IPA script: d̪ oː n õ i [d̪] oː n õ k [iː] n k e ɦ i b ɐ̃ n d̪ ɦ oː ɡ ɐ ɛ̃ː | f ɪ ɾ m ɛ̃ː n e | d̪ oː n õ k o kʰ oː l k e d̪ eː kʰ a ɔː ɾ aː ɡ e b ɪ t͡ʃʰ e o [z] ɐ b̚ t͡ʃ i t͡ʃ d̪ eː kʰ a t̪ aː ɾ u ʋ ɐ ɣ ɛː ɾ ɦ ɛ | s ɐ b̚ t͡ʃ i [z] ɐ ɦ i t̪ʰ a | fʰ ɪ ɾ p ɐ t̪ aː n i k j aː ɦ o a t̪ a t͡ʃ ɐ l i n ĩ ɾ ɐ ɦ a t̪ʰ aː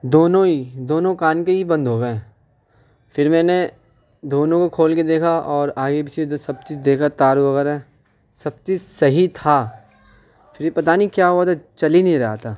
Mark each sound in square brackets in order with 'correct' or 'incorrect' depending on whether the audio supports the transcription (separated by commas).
correct, incorrect, incorrect, incorrect